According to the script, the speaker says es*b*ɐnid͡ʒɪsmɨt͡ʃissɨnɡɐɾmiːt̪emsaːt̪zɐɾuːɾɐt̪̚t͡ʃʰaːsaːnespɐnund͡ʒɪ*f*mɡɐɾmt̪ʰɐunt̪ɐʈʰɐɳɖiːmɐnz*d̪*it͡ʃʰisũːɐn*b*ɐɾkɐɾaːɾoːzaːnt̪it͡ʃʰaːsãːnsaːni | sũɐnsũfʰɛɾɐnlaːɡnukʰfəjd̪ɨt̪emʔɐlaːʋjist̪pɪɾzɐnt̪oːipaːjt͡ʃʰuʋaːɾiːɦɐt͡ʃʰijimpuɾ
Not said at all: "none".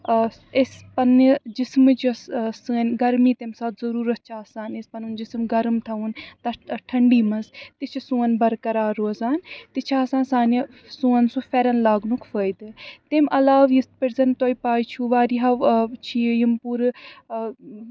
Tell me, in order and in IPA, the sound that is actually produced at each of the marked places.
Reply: p, s, t̪, b

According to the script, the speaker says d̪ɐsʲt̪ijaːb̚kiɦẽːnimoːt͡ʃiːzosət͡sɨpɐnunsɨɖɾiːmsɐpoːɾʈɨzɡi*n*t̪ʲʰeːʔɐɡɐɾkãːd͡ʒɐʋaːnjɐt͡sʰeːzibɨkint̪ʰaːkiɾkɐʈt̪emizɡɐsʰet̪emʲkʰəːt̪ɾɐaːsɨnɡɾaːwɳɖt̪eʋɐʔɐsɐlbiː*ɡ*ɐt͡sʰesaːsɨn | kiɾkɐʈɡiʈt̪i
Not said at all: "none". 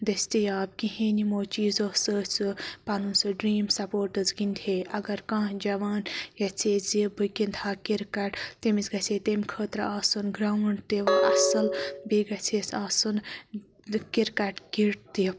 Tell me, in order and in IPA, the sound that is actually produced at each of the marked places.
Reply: n, ɡ

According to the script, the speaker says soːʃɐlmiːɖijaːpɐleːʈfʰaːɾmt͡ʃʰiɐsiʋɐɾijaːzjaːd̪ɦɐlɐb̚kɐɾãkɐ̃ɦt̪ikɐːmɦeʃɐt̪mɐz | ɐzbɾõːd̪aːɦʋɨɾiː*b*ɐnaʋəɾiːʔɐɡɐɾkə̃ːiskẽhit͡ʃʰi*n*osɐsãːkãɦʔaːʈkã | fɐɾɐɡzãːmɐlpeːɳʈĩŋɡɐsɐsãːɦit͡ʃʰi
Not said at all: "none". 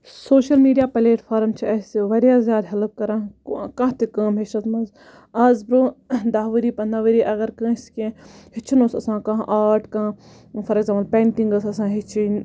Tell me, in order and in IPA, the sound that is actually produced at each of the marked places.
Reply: p, n

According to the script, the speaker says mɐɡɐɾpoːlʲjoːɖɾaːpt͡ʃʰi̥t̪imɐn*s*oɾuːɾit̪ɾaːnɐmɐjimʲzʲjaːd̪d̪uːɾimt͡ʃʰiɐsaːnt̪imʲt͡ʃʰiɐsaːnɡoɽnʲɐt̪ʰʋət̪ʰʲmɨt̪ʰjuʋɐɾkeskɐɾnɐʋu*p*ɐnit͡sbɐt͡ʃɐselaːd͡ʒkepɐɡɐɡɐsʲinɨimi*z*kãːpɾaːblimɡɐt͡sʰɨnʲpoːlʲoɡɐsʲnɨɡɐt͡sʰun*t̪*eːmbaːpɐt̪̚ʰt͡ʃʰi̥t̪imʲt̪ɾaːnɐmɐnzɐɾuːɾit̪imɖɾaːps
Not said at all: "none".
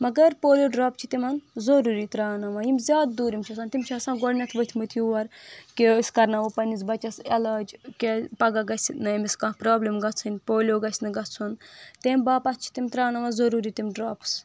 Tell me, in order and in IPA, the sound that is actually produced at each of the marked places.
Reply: z, p, s, t̪

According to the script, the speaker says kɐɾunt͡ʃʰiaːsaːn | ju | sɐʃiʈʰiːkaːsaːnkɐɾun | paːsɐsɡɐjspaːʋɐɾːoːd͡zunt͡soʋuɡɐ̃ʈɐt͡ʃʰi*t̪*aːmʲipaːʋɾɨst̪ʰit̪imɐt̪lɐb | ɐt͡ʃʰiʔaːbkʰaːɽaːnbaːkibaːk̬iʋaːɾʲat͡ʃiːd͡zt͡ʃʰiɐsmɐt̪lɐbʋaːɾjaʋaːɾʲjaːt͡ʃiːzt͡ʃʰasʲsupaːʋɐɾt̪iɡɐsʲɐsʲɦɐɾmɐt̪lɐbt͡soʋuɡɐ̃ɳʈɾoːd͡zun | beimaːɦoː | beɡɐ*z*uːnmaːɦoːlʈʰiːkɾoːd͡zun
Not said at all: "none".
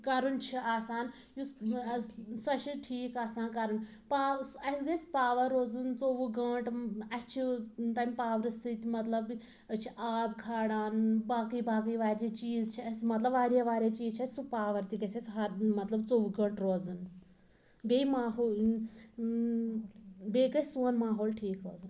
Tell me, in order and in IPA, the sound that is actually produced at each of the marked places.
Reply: t̪, s

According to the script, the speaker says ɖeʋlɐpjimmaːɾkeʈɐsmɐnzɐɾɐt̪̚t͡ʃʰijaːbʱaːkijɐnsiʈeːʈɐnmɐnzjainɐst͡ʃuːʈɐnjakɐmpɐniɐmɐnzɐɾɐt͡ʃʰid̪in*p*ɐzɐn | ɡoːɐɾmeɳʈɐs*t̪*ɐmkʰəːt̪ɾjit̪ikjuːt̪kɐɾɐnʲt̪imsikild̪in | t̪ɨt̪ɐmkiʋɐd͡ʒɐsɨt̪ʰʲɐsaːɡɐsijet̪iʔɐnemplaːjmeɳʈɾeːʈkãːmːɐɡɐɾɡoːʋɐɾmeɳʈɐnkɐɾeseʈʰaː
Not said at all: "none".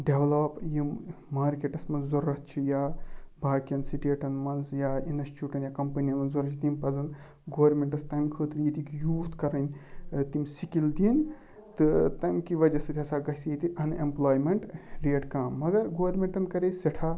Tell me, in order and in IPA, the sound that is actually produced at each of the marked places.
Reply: p, t̪

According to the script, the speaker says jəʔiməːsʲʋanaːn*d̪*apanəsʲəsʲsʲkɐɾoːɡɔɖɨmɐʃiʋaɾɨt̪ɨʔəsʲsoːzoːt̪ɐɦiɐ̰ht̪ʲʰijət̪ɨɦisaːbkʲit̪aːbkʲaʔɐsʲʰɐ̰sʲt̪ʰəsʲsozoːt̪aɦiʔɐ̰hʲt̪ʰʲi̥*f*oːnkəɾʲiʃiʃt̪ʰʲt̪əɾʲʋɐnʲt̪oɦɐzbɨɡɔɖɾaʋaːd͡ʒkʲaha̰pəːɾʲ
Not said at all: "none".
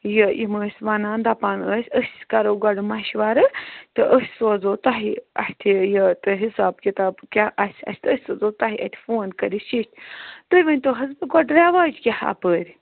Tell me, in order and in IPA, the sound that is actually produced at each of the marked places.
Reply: d̪, f

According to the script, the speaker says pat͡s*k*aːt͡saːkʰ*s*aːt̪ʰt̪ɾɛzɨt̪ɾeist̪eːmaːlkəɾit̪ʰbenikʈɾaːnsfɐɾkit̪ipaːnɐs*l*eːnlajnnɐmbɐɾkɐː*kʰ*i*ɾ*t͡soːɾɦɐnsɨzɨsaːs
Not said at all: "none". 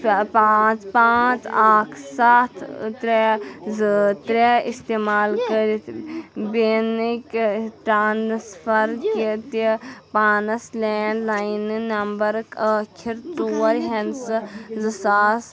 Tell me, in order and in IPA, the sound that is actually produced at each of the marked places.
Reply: p, s, l, kʰ, ɾ

